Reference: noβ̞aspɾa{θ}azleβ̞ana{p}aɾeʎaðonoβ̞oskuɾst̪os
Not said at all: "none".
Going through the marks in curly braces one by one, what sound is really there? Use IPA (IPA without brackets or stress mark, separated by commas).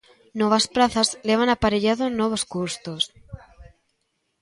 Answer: θ, p